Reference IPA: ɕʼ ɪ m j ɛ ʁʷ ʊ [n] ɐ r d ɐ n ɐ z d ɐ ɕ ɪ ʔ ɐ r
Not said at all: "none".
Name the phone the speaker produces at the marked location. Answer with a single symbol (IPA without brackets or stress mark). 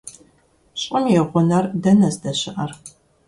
n